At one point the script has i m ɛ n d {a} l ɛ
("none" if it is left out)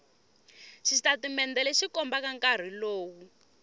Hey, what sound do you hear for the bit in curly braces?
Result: ɛ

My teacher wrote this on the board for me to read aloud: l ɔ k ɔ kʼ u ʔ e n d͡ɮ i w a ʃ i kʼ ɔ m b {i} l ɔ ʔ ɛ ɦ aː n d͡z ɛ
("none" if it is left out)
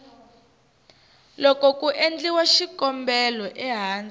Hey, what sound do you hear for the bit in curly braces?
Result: ɛ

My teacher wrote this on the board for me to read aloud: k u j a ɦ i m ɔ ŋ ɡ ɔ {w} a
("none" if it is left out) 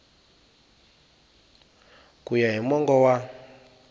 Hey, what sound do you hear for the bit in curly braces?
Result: w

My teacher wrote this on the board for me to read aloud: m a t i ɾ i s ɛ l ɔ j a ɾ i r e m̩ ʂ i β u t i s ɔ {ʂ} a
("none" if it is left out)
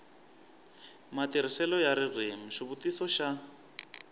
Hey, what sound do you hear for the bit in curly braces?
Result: ʃ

